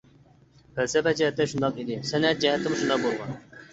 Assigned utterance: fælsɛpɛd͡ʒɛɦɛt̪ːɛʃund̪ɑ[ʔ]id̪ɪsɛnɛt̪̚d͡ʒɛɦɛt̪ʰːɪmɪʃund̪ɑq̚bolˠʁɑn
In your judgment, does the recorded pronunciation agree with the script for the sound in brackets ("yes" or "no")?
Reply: no